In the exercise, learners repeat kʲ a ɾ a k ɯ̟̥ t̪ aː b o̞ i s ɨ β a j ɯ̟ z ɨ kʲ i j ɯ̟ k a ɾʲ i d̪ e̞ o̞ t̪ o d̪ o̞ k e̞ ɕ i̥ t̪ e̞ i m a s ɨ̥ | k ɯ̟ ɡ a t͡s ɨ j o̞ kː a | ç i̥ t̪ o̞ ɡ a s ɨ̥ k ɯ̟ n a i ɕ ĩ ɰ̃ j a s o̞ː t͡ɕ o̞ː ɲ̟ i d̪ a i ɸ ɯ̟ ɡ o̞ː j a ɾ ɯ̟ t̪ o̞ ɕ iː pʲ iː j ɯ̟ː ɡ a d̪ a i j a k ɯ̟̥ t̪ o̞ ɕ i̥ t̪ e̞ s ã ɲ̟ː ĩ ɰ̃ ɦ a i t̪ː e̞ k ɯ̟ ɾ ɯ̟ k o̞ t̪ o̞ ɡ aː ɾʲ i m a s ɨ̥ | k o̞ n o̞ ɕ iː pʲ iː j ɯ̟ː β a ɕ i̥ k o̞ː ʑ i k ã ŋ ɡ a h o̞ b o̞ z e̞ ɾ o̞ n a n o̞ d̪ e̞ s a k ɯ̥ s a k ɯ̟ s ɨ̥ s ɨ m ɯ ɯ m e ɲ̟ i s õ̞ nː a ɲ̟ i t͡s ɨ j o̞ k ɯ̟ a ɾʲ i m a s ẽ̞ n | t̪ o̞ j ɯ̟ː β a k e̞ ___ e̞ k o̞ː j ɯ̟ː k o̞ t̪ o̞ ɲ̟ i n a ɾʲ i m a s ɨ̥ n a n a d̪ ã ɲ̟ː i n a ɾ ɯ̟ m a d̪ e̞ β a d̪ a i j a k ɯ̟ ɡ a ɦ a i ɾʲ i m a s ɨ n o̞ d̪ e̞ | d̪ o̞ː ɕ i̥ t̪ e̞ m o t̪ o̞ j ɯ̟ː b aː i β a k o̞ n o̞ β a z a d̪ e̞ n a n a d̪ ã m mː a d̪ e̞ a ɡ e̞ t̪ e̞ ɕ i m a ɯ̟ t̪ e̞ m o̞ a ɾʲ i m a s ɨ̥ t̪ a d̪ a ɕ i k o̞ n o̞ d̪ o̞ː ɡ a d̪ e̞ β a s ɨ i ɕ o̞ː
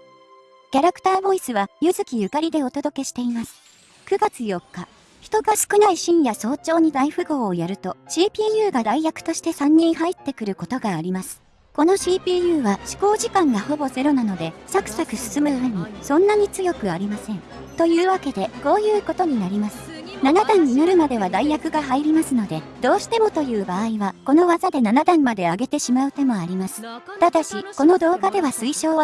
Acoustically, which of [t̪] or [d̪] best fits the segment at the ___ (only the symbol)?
d̪